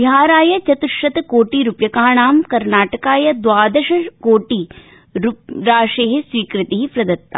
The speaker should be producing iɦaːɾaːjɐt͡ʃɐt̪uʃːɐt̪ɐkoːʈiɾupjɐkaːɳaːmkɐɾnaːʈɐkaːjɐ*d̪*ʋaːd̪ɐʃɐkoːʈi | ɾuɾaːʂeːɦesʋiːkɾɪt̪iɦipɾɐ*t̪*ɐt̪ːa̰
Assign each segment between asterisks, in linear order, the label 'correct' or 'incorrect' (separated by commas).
correct, incorrect